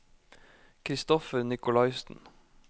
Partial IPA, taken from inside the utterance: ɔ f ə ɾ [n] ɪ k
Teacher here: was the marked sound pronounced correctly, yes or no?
yes